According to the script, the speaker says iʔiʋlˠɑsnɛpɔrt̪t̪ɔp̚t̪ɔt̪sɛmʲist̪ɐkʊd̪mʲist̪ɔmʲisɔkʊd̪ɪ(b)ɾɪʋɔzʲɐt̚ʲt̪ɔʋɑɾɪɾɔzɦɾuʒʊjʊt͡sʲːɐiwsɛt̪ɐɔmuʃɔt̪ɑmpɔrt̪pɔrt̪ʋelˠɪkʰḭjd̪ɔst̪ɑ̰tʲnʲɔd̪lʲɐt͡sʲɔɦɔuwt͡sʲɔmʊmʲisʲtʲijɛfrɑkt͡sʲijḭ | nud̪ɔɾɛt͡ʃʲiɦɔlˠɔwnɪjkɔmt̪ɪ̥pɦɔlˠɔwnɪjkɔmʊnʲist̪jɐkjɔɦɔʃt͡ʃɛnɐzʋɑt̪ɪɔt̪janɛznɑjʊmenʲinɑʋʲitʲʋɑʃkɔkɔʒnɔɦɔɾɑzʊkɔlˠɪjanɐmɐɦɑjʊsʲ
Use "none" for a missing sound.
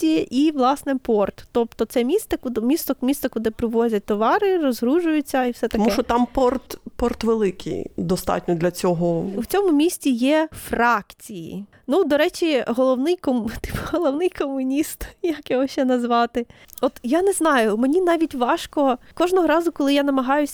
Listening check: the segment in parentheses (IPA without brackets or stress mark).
p